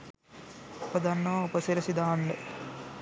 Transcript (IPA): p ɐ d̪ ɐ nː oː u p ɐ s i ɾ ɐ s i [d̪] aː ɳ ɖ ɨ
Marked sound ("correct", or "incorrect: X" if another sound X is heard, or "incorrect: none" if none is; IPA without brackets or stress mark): correct